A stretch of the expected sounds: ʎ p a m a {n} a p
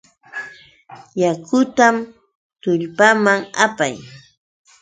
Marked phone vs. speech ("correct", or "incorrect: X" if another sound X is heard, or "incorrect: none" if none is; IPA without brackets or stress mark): incorrect: ŋ